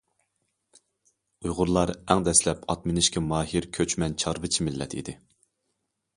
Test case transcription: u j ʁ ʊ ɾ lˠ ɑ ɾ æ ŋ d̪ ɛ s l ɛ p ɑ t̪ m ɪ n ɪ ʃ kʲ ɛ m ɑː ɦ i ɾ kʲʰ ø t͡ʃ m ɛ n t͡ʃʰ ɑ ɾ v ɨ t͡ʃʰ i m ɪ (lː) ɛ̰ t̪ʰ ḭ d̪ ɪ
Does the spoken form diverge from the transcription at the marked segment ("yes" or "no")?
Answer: no